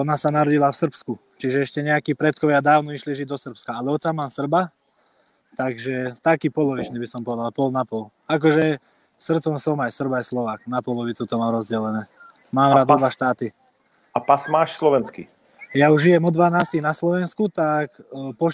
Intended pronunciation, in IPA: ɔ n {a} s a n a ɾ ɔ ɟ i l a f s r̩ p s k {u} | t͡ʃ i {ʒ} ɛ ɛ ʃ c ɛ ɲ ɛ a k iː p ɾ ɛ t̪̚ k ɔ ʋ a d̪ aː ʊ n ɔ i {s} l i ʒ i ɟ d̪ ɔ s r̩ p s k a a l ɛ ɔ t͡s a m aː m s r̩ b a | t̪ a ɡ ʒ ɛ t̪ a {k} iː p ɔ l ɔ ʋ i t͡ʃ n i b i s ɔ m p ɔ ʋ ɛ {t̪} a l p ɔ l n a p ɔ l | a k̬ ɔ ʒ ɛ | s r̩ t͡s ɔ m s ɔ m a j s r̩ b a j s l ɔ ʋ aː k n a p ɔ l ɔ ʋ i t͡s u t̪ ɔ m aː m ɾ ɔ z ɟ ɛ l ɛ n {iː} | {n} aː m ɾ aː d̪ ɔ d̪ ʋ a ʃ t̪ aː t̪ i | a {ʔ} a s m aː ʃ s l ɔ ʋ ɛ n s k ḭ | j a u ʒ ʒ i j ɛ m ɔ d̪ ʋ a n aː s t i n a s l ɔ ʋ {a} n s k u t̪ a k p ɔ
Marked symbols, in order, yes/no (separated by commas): yes, yes, yes, no, yes, no, no, no, no, no